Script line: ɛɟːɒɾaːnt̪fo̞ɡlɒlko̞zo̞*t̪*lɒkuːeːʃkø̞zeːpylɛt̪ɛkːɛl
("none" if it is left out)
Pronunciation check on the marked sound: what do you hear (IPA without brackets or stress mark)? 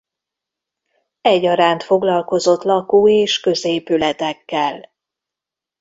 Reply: t̪